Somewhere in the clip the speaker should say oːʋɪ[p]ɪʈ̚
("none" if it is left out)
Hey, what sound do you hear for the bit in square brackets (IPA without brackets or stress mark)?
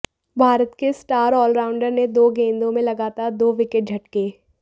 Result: k